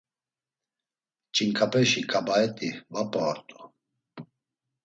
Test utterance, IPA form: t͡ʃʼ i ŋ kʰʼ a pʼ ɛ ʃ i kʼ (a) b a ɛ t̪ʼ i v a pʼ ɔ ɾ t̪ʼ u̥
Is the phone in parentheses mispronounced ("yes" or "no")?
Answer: no